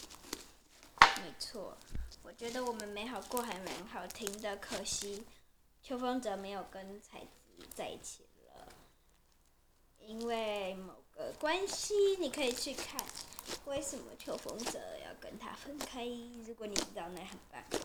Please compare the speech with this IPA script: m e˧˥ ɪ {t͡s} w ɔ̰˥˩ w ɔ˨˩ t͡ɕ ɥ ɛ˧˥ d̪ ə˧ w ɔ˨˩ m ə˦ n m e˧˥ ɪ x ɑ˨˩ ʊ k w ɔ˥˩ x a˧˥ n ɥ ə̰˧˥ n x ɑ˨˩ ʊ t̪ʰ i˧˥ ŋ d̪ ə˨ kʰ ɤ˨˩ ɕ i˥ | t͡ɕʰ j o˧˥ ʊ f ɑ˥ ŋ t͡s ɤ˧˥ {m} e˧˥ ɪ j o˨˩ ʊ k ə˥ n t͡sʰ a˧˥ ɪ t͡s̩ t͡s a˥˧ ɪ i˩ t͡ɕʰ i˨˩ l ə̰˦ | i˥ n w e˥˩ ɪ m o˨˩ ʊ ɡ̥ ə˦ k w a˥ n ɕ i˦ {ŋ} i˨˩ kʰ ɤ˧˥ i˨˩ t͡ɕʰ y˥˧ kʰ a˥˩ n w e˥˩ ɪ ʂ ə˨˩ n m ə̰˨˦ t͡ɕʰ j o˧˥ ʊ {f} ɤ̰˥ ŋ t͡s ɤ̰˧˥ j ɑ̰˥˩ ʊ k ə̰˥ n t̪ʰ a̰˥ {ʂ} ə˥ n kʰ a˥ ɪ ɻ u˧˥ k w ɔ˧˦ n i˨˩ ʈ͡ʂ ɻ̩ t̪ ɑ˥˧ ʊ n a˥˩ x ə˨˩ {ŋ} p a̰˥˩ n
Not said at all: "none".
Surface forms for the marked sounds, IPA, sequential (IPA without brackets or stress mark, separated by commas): t͡sʰ, m, n, f, f, n